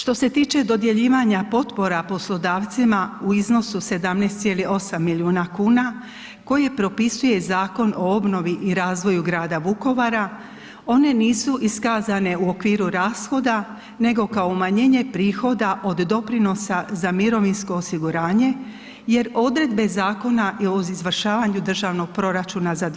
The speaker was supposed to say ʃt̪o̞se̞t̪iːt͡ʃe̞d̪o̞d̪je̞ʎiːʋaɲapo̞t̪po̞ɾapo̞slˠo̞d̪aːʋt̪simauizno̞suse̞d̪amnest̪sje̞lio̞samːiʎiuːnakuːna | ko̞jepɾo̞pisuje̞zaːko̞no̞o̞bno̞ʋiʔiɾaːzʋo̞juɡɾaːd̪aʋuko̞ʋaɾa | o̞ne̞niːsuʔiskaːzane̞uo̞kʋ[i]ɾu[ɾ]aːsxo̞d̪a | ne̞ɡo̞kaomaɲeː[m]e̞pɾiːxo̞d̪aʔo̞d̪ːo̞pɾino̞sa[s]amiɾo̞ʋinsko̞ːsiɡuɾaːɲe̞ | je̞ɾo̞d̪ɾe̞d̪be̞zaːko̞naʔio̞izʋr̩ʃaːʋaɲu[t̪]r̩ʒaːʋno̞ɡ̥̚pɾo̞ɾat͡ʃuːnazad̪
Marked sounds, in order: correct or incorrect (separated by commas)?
incorrect, correct, incorrect, incorrect, incorrect